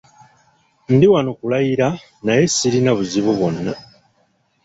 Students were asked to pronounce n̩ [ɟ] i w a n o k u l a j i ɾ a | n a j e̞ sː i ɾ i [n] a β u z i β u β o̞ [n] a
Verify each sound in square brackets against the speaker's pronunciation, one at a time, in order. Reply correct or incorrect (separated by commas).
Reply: incorrect, correct, incorrect